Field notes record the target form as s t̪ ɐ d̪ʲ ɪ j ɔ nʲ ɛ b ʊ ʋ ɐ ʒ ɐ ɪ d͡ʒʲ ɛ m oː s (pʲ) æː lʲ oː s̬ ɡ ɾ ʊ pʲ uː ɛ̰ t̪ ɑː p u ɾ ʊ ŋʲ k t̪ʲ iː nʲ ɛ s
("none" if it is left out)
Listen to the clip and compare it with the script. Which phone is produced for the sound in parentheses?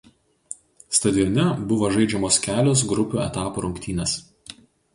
kʲ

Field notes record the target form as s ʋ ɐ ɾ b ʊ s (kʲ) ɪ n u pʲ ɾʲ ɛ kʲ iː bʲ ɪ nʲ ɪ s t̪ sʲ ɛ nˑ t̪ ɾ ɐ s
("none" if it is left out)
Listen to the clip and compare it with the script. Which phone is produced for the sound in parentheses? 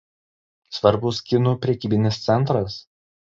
kʲ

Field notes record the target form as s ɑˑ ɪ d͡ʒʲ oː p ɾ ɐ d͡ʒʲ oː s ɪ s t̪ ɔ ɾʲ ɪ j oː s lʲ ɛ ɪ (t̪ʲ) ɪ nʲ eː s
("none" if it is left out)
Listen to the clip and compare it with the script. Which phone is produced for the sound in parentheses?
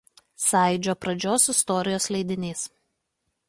d̪ʲ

